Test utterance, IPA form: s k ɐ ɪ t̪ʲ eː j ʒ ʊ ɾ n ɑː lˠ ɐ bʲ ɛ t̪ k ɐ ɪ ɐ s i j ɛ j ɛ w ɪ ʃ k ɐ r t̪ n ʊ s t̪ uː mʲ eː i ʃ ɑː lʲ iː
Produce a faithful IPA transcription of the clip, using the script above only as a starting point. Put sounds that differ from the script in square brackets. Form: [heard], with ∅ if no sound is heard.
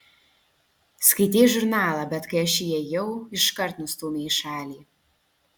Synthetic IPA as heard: s k ɐ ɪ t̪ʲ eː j ʒ ʊ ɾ n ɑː lˠ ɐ bʲ ɛ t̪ k ɐ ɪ ɐ [ʃ] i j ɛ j ɛ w ɪ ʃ k ɐ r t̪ n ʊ s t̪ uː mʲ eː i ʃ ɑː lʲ iː